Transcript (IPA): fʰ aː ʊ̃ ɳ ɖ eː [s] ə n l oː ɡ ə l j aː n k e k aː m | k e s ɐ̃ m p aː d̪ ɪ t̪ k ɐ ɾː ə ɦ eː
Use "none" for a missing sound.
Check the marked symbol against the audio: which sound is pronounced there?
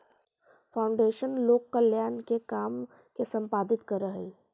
ʃ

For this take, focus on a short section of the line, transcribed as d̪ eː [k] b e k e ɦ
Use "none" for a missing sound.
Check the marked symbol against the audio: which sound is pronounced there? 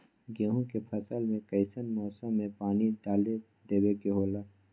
none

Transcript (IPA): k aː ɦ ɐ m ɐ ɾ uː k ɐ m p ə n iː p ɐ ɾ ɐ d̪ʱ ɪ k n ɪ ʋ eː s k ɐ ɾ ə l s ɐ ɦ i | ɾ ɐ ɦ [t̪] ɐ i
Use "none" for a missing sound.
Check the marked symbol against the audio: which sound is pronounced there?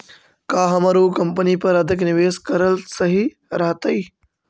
t̪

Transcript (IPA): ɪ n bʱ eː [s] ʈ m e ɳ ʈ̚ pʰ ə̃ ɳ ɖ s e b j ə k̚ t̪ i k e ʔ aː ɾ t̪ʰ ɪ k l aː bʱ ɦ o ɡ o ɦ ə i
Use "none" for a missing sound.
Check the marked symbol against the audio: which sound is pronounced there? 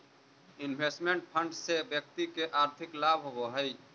s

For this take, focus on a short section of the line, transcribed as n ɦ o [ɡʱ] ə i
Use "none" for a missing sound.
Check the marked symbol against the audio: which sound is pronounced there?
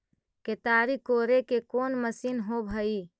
bʱ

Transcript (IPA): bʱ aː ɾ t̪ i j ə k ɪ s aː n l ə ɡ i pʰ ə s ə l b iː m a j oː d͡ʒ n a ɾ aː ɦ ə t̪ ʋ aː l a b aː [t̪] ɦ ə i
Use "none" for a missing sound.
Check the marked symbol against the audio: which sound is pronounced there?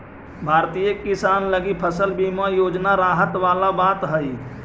t̪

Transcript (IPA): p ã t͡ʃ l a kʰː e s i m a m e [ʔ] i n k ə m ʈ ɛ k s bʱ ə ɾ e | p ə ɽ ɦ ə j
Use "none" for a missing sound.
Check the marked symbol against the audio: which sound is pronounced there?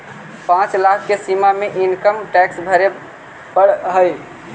ʔ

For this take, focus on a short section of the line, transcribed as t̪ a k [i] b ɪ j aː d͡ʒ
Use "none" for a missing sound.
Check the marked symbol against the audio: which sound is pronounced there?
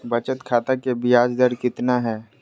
e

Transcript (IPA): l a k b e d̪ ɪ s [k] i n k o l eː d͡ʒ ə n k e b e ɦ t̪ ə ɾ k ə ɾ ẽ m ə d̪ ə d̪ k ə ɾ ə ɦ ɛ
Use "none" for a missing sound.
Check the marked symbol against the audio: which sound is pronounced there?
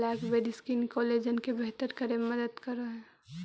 k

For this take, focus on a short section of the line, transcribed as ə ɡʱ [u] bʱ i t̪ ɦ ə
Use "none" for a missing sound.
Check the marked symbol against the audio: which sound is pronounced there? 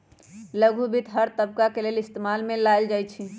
u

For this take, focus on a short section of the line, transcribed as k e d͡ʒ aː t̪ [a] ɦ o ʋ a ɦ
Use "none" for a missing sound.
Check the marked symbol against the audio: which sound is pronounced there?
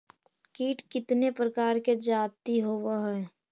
i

